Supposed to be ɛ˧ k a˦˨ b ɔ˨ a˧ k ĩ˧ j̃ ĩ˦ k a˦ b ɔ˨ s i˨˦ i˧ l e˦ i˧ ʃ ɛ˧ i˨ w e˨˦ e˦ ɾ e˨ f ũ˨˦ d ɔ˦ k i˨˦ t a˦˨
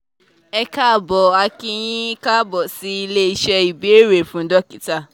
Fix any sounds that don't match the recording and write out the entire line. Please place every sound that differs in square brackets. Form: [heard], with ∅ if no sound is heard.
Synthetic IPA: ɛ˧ k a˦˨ b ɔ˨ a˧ k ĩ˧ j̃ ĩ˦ k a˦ b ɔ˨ s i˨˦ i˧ l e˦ i˧ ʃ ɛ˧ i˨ [b] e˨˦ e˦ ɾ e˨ f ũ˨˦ d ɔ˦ k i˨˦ t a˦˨